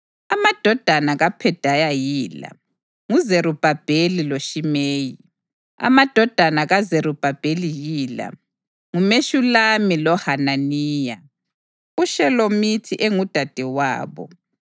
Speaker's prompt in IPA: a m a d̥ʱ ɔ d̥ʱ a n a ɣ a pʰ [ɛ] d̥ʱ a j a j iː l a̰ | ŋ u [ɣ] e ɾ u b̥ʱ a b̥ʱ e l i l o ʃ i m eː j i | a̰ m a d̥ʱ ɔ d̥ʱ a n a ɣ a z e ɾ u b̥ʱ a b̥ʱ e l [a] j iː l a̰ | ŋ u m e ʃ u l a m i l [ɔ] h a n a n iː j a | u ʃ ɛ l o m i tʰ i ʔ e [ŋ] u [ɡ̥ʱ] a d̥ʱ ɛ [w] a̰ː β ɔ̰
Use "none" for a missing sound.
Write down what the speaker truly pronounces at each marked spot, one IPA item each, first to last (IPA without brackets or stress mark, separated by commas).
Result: ɛ, z, i, ɔ, ŋ, d̥ʱ, w